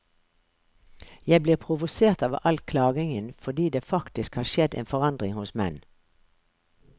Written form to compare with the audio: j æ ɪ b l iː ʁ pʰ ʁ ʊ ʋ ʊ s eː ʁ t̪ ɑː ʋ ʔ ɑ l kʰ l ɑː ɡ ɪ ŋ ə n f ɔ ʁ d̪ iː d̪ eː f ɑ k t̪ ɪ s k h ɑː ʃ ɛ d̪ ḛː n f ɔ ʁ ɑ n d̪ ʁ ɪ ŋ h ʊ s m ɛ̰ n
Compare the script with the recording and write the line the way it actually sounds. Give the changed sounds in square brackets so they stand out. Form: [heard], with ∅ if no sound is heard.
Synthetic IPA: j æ ɪ b l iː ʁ pʰ ʁ ʊ ʋ ʊ s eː ʁ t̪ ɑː ʋ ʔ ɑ l kʰ l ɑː ɡ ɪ ŋ ə n f ɔ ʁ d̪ iː d̪ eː f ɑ k t̪ ɪ s k h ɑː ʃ ɛ d̪ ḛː n f ɔ ʁ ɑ n d̪ ʁ ɪ ŋ h ʊ s m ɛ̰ n